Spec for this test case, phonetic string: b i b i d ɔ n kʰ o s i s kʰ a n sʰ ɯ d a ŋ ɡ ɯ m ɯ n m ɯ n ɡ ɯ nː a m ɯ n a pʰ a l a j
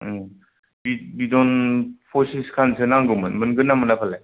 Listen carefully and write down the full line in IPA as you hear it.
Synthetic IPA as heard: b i b i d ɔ n pʰ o s i s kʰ a n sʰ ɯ n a ŋ ɡ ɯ m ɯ n m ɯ n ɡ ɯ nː a m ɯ n a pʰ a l a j

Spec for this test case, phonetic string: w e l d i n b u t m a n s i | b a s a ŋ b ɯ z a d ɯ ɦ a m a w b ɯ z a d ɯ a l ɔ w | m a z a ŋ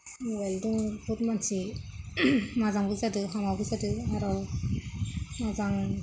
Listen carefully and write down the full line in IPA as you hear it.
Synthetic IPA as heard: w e l d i ŋ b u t m a n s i | m a z a ŋ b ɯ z a d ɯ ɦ a m a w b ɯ z a d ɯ a ɾ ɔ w | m a z a ŋ

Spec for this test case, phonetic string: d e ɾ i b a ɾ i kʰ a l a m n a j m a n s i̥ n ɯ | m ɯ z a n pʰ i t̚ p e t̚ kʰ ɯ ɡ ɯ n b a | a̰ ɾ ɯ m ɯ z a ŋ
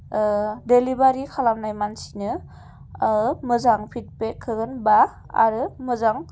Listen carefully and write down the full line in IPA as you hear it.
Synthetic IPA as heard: d e l i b a ɾ i kʰ a l a m n a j m a n s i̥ n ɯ | m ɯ z a ŋ pʰ i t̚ p e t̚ kʰ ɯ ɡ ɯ n b a | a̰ ɾ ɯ m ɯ z a ŋ

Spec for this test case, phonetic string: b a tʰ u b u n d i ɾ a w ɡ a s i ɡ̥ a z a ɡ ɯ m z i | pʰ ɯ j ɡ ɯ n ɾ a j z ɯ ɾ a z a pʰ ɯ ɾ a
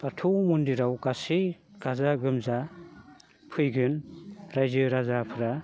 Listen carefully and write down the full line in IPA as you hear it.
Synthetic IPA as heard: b a tʰ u m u n d i ɾ a w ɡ a s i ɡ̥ a z a ɡ ɯ m z a | pʰ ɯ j ɡ ɯ n ɾ a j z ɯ ɾ a z a pʰ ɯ ɾ a

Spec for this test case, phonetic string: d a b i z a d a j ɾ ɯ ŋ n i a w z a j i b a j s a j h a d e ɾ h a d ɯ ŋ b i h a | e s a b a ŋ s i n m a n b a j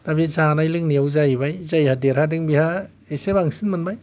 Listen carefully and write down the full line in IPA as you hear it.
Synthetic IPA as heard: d a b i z a n a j l ɯ ŋ n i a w z a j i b a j z a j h a d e ɾ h a d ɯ ŋ b i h a | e s e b a ŋ s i n m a n b a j

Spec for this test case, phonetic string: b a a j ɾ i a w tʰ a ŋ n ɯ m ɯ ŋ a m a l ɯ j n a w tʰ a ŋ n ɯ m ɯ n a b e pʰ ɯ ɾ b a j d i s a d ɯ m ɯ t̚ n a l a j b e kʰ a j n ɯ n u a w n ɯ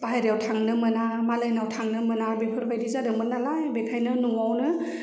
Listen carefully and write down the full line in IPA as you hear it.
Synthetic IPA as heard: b a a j ɾ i a w tʰ a ŋ n ɯ m ɯ n a m a l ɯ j n a w tʰ a ŋ n ɯ m ɯ n a b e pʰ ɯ ɾ b a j d i z a d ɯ m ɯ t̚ n a l a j b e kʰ a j n ɯ n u a w n ɯ

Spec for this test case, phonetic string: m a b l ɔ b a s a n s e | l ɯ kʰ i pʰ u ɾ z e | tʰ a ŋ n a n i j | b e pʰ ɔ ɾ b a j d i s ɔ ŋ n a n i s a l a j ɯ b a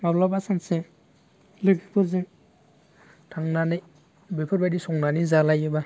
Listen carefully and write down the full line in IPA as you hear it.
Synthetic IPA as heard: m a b l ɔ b a s a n s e | l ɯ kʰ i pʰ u ɾ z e | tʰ a ŋ n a n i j | b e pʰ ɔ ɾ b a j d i s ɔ ŋ n a n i z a l a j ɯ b a

